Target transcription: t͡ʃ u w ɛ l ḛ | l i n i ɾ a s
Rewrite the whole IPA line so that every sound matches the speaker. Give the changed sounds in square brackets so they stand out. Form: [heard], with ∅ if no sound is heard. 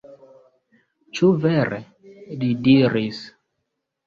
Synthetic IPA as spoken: t͡ʃ u [v] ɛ [ɾ] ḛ | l i [d] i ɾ [i] s